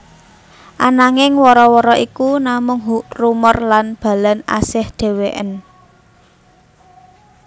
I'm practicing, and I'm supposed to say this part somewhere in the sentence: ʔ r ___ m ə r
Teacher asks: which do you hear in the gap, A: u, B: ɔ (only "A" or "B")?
A